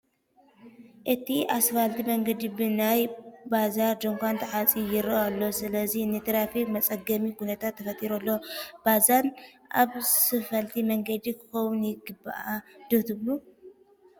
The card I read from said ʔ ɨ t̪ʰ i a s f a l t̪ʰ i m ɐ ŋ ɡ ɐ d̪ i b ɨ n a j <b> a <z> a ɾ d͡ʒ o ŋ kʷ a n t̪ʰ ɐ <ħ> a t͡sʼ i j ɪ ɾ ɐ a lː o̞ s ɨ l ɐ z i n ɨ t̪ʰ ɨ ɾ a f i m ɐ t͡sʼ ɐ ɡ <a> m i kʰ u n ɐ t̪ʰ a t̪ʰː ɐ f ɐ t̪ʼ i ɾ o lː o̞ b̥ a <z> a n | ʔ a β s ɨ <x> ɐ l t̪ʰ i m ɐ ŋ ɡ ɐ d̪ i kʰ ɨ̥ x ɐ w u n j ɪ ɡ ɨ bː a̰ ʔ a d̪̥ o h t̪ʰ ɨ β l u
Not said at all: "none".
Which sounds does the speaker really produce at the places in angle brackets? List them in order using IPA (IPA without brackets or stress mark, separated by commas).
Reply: b, z, ħ, ɐ, z, f